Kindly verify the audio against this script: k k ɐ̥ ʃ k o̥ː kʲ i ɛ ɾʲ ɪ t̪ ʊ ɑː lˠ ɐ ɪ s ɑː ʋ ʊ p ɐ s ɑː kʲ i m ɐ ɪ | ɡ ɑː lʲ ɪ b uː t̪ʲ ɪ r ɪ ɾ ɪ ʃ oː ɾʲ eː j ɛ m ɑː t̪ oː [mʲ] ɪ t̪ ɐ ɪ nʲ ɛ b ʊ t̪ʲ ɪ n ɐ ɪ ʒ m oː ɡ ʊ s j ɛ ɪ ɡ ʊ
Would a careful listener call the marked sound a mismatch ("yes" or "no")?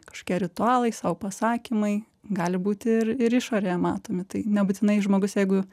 no